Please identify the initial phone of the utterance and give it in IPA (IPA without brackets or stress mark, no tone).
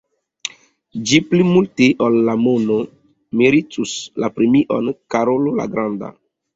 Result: d͡ʒ